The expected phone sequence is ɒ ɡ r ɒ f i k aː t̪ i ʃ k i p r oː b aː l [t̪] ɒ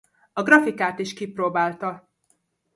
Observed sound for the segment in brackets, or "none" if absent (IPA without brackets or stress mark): t̪